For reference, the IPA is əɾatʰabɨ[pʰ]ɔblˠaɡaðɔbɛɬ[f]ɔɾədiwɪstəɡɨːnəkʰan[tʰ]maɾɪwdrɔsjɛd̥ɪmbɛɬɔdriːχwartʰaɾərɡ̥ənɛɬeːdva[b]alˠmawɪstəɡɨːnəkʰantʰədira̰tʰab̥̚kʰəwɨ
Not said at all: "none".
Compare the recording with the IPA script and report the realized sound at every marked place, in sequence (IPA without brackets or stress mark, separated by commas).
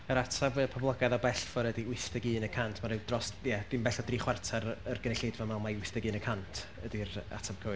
pʰ, f, tʰ, m